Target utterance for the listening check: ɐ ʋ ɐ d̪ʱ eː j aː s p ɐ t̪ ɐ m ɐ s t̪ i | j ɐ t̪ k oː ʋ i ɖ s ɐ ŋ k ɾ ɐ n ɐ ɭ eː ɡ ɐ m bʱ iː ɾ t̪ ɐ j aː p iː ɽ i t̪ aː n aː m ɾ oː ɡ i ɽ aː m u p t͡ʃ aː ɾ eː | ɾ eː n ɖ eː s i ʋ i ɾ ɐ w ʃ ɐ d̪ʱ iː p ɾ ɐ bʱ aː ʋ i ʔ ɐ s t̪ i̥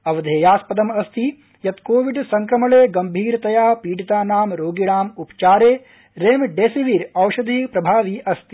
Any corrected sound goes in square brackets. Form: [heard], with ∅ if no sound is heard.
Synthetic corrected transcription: ɐ ʋ ɐ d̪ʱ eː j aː s p ɐ [d̪] ɐ m ɐ s t̪ i | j ɐ t̪ k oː ʋ i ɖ s ɐ ŋ k ɾ ɐ [m] ɐ ɭ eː ɡ ɐ m bʱ iː ɾ t̪ ɐ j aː p iː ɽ i t̪ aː n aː m ɾ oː ɡ i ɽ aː m u p t͡ʃ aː ɾ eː | ɾ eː [m] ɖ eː s i ʋ i ɾ ɐ w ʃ ɐ d̪ʱ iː p ɾ ɐ bʱ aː ʋ i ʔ ɐ s t̪ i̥